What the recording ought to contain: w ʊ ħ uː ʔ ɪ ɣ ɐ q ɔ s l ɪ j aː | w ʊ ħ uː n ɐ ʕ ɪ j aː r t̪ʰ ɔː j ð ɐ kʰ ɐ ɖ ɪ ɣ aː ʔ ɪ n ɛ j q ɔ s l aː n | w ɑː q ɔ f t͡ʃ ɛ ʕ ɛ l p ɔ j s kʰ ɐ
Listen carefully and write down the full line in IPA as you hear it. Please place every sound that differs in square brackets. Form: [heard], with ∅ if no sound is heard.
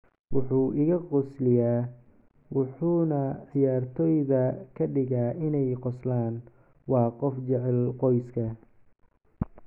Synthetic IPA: w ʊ ħ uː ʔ ɪ ɣ ɐ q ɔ s l ɪ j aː | w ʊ ħ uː n ɐ ʕ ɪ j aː r t̪ʰ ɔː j ð ɐ kʰ ɐ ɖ ɪ ɣ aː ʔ ɪ n ɛ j q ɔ s l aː n | w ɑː q ɔ f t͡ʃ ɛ ʕ ɛ l [q] ɔ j s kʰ ɐ